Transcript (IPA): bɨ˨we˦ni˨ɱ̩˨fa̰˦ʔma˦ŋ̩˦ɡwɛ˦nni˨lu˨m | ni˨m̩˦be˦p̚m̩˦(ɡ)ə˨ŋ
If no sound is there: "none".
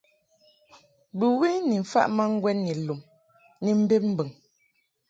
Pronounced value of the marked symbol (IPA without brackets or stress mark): b